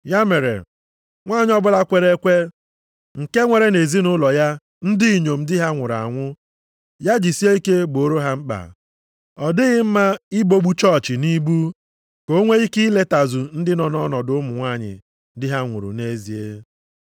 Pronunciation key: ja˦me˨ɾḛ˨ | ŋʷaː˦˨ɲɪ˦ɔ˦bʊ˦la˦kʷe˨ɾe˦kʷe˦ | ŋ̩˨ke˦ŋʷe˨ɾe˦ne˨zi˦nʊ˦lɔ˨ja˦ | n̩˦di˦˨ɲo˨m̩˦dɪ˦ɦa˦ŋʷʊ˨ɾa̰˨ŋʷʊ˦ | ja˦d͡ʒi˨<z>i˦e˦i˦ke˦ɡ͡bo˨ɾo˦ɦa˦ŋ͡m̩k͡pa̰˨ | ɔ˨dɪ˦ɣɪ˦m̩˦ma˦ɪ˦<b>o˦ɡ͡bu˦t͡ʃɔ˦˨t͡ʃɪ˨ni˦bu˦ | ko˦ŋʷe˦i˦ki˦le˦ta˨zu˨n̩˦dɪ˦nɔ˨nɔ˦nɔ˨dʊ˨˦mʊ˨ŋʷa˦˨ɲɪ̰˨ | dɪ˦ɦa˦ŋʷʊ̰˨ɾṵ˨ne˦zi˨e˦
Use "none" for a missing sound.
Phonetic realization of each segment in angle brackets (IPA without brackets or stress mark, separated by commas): s, b